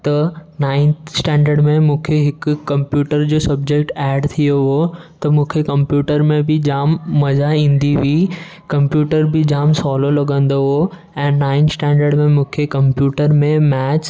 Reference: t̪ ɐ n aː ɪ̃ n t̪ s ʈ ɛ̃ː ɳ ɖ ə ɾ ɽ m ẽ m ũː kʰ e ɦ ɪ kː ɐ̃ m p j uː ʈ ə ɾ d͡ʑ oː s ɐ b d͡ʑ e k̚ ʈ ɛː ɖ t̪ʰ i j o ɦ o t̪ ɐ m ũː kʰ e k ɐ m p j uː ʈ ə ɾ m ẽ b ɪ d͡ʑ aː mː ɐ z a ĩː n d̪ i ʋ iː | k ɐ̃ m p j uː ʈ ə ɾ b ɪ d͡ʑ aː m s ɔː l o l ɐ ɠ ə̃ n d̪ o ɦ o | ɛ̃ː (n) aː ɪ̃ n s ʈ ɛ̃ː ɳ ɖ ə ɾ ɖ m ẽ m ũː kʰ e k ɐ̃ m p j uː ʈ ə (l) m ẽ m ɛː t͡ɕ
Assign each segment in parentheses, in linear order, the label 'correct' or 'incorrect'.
correct, incorrect

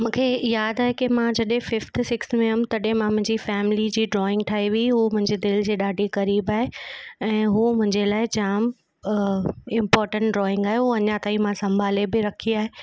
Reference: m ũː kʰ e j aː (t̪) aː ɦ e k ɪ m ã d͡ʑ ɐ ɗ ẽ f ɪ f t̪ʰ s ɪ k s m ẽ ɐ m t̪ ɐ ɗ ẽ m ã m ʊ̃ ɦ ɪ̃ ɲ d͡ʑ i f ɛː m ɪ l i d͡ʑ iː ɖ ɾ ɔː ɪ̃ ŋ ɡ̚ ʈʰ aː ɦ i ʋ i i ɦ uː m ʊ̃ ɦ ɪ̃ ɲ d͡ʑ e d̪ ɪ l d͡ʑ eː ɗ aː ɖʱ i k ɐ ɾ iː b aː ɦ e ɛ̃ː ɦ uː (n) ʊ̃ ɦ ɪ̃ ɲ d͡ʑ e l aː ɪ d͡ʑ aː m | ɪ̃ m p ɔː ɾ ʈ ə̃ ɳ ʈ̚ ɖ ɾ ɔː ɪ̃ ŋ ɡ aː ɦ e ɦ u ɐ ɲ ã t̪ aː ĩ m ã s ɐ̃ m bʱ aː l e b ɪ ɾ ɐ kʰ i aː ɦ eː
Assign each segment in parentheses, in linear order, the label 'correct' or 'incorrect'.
incorrect, incorrect

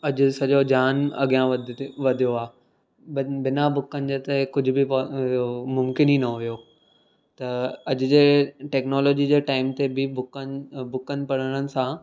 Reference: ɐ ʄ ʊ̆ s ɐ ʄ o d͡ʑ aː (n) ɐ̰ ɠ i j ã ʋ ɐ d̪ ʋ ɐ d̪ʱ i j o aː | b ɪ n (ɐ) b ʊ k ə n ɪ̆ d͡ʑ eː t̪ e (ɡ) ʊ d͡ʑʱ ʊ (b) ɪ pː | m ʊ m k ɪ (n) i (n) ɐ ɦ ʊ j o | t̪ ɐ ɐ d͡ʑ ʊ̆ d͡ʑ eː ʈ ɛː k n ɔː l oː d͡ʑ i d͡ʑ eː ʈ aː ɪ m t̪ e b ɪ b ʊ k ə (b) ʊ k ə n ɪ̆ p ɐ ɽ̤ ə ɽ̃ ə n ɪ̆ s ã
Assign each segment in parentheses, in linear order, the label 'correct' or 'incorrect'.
correct, incorrect, incorrect, correct, correct, correct, correct

